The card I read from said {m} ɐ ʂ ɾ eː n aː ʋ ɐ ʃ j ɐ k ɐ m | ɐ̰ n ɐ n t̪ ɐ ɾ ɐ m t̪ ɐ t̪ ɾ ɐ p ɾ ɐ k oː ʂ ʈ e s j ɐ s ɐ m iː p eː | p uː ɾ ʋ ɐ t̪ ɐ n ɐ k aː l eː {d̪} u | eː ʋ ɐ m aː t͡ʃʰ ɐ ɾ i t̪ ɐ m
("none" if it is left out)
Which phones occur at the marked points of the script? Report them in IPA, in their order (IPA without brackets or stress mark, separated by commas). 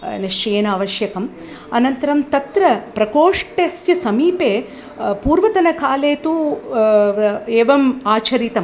n, t̪